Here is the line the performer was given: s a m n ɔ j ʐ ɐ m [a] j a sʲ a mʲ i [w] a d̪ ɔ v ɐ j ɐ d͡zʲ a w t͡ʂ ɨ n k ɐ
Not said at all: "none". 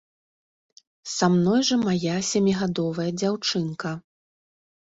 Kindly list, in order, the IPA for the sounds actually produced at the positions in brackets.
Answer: a, ɣ

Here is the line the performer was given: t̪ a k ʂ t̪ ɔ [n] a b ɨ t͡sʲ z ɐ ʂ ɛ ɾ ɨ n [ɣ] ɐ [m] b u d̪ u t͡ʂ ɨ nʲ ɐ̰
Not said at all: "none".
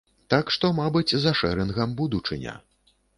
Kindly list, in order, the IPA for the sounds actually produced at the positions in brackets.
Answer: m, ɣ, m

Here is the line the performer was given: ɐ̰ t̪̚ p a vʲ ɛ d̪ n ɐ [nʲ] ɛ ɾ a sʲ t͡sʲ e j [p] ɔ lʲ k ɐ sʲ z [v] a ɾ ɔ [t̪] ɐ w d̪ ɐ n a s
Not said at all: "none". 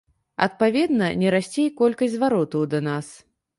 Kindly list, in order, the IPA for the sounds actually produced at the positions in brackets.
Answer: nʲ, k, v, t̪

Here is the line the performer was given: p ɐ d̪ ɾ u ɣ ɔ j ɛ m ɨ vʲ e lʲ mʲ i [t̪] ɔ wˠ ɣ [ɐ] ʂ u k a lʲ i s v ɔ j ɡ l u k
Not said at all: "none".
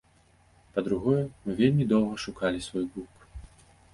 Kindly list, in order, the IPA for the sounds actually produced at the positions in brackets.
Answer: d̪, ɐ

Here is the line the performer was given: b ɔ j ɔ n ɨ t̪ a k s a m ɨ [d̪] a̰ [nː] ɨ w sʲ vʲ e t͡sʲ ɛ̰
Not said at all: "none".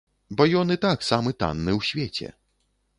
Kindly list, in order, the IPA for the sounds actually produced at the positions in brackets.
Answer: t̪, nː

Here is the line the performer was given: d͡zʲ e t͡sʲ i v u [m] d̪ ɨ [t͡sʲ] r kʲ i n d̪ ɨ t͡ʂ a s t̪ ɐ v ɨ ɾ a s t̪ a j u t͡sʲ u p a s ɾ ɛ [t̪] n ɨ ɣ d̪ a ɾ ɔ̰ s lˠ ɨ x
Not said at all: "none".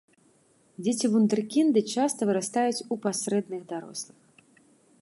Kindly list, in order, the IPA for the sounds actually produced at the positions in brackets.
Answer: n, none, d̪

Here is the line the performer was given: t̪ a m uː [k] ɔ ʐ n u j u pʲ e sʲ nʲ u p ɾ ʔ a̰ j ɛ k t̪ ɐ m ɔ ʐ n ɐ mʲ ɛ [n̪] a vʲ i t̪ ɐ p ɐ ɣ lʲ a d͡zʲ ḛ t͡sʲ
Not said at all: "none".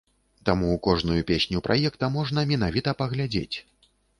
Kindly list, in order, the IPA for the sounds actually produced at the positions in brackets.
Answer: k, n̪

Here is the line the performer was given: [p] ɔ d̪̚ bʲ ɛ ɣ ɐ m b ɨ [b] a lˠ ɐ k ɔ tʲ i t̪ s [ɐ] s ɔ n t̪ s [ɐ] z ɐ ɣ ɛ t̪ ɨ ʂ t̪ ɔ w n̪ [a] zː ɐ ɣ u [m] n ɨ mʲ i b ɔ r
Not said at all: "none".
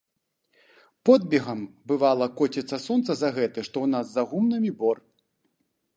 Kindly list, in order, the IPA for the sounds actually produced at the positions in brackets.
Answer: p, v, ɐ, ɐ, a, m

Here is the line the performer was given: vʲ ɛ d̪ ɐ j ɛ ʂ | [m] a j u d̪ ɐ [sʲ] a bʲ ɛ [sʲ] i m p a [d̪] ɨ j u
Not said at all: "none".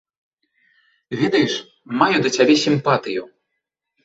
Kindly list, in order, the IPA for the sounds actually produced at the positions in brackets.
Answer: m, t͡sʲ, sʲ, t̪

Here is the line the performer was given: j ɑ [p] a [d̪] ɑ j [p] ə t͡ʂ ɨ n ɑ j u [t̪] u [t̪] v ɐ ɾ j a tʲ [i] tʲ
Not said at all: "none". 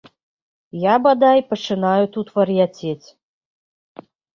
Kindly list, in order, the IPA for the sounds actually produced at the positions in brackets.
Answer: b, d̪, p, t̪, t̪, e

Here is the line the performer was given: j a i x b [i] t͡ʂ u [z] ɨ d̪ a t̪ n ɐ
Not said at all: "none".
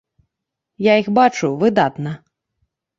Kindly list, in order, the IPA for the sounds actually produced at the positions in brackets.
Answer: a, v

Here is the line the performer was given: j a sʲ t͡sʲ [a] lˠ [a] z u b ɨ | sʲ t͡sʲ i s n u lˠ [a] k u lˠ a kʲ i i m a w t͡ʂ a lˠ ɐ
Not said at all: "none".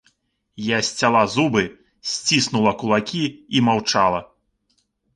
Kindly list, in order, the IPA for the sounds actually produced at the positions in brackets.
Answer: a, a, ɐ

